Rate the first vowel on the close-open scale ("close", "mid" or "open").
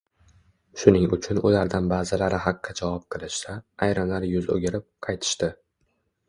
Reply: close